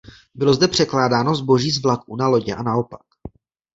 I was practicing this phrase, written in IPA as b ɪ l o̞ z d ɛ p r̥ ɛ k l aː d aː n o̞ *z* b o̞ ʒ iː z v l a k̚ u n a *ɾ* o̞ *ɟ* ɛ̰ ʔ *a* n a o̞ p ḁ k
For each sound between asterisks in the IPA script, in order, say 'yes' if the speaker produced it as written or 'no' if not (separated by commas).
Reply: yes, no, yes, yes